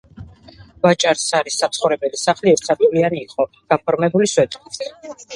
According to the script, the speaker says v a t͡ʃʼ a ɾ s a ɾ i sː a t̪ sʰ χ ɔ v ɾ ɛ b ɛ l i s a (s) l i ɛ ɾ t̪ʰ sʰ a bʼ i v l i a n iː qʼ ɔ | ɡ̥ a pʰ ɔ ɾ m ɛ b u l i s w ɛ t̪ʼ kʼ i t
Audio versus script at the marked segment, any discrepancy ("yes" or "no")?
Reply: yes